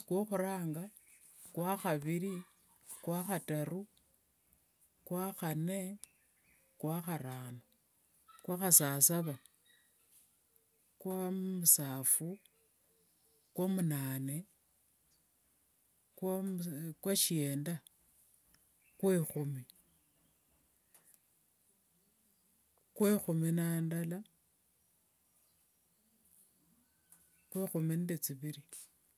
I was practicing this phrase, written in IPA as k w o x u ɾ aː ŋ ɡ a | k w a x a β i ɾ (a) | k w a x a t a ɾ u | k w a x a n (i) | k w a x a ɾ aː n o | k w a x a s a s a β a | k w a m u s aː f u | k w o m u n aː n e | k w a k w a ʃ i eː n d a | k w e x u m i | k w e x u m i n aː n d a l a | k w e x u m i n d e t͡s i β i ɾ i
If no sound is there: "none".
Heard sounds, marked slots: i, e

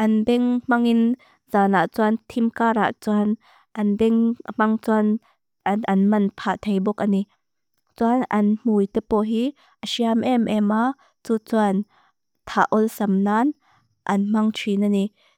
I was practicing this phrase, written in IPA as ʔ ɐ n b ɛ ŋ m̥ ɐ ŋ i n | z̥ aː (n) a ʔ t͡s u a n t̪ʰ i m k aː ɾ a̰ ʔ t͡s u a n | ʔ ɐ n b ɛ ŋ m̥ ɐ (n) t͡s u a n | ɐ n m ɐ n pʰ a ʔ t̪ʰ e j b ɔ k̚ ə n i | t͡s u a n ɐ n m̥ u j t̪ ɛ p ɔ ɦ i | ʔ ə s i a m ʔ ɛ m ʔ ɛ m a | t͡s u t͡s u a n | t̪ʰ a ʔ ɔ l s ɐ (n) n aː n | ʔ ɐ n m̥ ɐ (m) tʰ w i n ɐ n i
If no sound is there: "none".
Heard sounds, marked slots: n, ŋ, m, ŋ

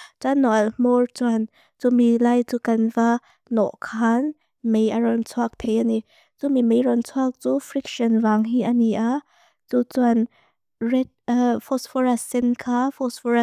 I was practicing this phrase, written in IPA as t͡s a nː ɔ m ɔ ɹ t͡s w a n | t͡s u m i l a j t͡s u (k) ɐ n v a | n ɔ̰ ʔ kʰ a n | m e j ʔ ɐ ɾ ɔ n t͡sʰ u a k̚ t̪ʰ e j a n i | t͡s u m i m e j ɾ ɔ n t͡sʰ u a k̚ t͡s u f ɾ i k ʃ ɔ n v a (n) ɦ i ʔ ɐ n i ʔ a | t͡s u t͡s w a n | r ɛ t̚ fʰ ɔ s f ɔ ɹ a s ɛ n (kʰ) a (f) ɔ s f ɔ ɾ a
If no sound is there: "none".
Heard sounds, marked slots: k, ŋ, kʰ, f

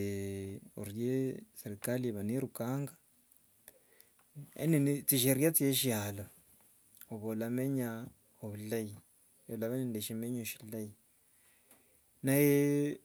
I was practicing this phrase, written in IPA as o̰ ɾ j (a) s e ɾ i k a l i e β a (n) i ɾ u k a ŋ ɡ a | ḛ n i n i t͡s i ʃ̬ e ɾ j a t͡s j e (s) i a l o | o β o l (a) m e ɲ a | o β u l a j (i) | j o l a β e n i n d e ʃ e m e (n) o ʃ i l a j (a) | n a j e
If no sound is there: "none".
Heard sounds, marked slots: e, n, ʃ, a, i, ɲ, i

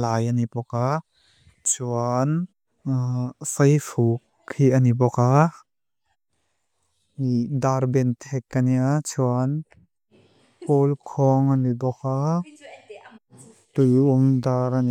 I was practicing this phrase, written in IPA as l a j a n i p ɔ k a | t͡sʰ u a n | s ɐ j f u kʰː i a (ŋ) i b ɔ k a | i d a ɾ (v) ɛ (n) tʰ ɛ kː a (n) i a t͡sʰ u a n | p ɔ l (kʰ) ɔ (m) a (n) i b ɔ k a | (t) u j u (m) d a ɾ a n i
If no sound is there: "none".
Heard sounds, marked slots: n, b, n, n, kʰ, ŋ, n, t, m

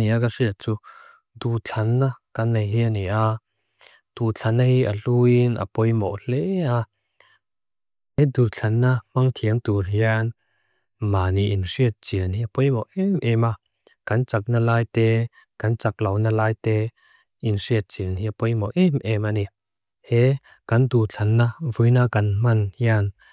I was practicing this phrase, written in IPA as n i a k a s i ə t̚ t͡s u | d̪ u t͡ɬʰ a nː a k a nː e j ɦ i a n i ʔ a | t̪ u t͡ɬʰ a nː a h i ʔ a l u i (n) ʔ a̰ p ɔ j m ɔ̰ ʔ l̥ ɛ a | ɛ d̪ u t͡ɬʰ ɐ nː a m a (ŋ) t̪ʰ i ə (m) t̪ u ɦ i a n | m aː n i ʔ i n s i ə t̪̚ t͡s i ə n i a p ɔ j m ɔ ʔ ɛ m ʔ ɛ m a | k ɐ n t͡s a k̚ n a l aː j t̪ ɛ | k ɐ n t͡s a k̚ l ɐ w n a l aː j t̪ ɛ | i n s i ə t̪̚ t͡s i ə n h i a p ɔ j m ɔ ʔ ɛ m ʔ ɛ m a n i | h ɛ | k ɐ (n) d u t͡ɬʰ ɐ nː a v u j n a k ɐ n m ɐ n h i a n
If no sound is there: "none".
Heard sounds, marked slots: n, ŋ, ŋ, n

